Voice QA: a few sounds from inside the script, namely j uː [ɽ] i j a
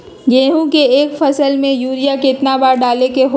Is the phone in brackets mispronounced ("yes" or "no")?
yes